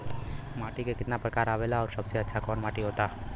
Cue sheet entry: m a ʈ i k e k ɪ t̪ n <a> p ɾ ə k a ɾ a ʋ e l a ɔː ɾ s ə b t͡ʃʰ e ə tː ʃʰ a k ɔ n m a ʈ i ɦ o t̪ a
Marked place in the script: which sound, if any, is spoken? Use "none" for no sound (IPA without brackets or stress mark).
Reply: a